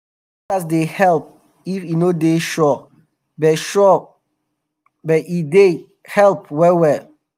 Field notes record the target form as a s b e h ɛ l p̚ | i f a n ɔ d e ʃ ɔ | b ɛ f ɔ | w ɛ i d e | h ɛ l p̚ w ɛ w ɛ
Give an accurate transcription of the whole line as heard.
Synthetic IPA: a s d e h ɛ l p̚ | i f i n o d e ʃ ɔ | b ɛ ʃ ɔ | b ɛ i d e | h ɛ l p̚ w ɛ w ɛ

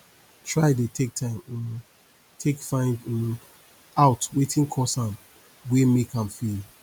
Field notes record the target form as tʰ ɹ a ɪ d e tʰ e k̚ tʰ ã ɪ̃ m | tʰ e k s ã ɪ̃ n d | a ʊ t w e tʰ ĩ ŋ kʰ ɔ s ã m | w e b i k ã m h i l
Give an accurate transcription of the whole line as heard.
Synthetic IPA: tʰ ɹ a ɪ d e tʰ e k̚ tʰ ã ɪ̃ m | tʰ e k f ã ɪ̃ n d | a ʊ t w e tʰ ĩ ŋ kʰ ɔ s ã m | w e m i k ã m f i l

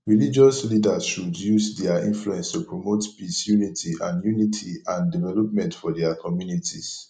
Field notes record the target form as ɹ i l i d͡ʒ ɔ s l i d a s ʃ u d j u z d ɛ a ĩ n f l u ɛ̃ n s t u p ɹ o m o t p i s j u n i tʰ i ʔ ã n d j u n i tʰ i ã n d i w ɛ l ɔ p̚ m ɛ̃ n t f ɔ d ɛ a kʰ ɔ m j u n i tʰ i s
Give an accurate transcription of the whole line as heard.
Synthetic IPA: ɹ i l i d͡ʒ ɔ s l i d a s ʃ u d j u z d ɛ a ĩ n f l u ɛ̃ n s t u p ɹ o m o t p i s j u n i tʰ i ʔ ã n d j u n i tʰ i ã n d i v ɛ l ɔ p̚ m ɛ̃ n t f ɔ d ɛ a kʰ ɔ m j u n i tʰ i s

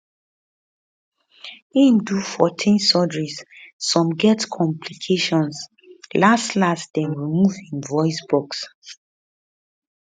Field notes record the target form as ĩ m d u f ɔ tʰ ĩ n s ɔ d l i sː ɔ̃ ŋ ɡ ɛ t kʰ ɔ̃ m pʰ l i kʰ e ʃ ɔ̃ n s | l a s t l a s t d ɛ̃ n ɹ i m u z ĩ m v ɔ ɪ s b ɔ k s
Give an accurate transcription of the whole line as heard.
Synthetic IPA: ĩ m d u f ɔ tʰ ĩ n s ɔ d ɹ i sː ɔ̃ m ɡ ɛ t kʰ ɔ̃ m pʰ l i kʰ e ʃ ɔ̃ n s | l a s t l a s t d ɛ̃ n ɹ i m u v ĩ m v ɔ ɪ s b ɔ k s

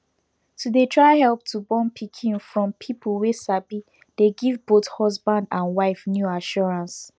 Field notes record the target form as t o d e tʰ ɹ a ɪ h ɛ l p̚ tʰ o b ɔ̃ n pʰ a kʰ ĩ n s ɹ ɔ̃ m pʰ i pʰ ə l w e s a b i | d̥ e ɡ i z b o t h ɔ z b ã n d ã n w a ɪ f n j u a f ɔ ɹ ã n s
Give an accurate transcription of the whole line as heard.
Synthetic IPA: t u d e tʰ ɹ a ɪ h ɛ l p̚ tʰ u b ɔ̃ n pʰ i kʰ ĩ n f ɹ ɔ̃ m pʰ i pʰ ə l w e s a b i | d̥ e ɡ i v b o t h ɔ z b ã n d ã n w a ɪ f n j u a ʃ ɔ ɹ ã n s

